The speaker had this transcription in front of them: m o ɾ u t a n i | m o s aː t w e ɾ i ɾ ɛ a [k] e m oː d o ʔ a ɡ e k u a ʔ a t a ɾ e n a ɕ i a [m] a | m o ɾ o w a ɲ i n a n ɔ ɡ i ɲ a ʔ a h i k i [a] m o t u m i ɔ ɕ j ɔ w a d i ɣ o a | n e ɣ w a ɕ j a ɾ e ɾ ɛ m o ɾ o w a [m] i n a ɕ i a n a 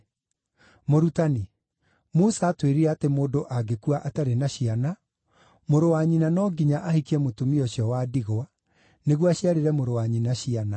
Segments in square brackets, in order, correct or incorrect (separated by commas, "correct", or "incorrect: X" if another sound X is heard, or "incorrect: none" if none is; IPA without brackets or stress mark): incorrect: t, incorrect: n, incorrect: ɛ, incorrect: ɲ